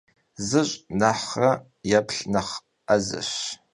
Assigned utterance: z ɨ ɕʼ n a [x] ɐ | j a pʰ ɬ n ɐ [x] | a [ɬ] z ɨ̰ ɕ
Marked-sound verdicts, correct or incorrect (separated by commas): incorrect, incorrect, incorrect